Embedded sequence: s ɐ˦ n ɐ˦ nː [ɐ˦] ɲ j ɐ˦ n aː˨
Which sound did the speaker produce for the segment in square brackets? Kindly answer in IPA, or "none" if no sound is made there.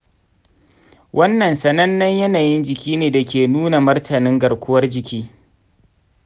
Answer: ɐ˦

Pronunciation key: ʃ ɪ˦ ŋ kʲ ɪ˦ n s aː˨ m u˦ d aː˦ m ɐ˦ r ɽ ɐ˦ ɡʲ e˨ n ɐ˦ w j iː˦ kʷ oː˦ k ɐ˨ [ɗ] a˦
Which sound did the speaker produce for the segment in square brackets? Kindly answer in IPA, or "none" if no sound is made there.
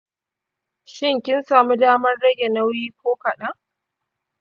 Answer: ɗ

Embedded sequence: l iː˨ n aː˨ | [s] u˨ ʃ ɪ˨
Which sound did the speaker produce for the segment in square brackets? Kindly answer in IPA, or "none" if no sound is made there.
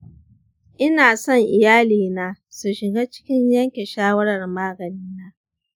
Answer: s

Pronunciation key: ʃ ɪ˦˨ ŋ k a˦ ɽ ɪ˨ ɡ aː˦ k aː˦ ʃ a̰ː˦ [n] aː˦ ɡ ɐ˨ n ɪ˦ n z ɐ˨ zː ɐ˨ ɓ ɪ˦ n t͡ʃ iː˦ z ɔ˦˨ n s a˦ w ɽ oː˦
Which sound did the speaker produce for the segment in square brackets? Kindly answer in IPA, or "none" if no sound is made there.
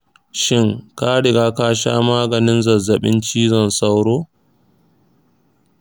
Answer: m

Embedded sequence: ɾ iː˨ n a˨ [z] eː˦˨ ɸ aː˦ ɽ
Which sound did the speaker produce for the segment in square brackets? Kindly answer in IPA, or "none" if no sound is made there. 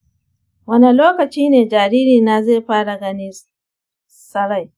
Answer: z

